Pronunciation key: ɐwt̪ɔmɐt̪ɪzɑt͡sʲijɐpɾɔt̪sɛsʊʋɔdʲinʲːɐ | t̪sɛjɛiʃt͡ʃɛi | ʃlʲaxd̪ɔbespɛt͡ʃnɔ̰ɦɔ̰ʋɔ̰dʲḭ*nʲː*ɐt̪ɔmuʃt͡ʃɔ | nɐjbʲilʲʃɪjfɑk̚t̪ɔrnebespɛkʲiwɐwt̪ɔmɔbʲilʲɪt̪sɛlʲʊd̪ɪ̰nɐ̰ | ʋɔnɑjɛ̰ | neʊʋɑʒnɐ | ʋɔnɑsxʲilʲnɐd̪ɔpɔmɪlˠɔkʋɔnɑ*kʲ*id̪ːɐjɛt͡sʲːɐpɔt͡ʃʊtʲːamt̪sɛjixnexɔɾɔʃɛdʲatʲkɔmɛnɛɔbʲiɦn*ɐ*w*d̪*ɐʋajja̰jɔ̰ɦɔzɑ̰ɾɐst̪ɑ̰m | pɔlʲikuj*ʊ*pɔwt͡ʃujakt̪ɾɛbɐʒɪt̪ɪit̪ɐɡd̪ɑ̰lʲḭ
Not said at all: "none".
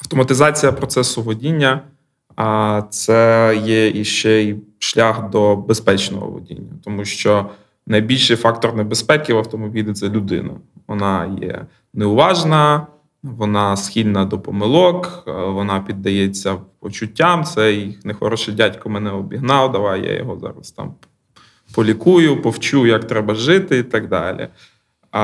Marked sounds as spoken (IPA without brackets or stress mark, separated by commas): nʲː, pʲ, ɑ, d̪, ʊ